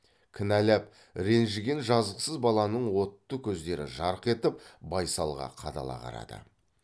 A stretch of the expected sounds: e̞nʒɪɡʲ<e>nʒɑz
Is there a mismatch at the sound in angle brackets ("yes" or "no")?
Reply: no